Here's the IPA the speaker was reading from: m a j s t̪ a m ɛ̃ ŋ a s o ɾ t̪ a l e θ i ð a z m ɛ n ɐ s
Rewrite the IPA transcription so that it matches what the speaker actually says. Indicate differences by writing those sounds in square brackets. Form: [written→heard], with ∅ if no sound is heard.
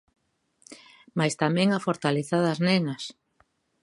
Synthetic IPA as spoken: m a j s t̪ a m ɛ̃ ŋ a [s→f] o ɾ t̪ a l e θ [i→a] ð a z [m→n] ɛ n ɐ s

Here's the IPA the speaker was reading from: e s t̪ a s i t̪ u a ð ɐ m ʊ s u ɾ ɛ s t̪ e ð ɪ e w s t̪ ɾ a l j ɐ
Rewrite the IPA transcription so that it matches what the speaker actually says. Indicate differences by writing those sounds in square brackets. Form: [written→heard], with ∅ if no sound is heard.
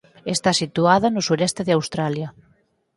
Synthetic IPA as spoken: e s t̪ a s i t̪ u a ð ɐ [m→n] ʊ s u ɾ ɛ s t̪ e ð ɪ [e→a] w s t̪ ɾ a l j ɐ

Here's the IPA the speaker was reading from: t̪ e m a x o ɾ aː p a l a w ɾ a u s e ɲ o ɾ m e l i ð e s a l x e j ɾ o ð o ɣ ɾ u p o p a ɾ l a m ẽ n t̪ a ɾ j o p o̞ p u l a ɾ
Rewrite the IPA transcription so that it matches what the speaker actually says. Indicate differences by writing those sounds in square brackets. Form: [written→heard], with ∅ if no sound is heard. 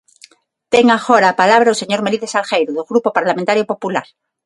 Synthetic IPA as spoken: t̪ e [m→ŋ] a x o ɾ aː p a l a [w→β] ɾ a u s e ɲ o ɾ m e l i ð e s a l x e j ɾ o ð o ɣ ɾ u p o p a ɾ l a m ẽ n t̪ a ɾ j o p o̞ p u l a ɾ

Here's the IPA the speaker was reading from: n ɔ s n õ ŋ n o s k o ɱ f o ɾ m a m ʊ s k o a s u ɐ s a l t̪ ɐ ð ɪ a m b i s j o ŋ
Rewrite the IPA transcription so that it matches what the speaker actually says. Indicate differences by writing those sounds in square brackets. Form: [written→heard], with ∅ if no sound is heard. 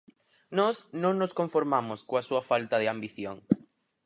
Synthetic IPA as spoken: n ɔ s n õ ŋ n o s k o ɱ f o ɾ m a m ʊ s k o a s u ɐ [s→f] a l t̪ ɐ ð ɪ a m b i [s→θ] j o ŋ

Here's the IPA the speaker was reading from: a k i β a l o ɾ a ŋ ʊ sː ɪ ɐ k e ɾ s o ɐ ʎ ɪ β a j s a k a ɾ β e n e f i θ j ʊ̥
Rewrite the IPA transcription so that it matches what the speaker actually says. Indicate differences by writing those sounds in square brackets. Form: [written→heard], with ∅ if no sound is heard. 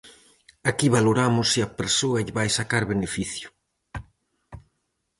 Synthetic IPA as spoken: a k i β a l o ɾ a [ŋ→m] ʊ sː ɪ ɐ [k→p] e ɾ s o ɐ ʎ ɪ β a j s a k a ɾ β e n e f i θ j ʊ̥

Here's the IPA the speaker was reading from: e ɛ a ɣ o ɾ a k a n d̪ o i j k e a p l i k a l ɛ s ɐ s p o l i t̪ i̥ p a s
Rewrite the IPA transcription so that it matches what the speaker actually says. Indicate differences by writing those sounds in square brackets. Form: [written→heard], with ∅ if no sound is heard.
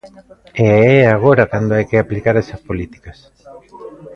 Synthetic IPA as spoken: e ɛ a ɣ o ɾ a k a n d̪ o [i→a] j k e a p l i k a [l→ɾ] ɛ s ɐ s p o l i t̪ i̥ [p→k] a s

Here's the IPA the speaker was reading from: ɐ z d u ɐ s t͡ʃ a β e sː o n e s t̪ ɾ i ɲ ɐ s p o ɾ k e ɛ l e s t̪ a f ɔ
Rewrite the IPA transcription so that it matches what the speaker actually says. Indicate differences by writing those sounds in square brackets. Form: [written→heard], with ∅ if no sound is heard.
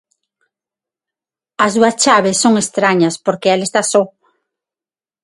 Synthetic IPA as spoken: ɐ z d u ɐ s t͡ʃ a β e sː o [n→ŋ] e s t̪ ɾ [i→a] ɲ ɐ s p o ɾ k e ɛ l e s t̪ a [f→s] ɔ

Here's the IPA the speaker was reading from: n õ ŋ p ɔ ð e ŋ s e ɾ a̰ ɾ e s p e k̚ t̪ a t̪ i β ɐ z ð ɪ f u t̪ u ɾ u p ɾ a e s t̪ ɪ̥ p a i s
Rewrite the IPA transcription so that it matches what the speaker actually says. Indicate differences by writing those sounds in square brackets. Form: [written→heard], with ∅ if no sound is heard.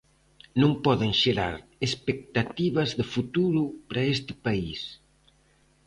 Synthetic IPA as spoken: n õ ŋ p ɔ ð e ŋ [s→ʃ] e ɾ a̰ ɾ e s p e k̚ t̪ a t̪ i β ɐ z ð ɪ f u t̪ u ɾ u p ɾ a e s t̪ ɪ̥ p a i s

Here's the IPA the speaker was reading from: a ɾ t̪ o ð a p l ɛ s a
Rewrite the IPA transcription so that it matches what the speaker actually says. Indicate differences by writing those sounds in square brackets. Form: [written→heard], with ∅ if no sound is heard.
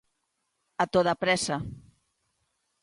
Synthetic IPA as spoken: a [ɾ→∅] t̪ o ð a p [l→ɾ] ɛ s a

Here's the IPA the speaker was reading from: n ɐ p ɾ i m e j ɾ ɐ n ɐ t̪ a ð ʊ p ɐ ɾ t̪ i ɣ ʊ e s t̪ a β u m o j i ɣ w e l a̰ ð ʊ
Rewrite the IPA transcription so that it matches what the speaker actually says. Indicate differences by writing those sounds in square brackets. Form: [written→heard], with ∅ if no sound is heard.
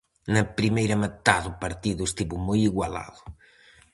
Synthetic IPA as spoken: n ɐ p ɾ i m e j ɾ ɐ [n→m] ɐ t̪ a ð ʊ p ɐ ɾ t̪ i [ɣ→ð] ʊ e s t̪ [a→i] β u m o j i ɣ w [e→a] l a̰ ð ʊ

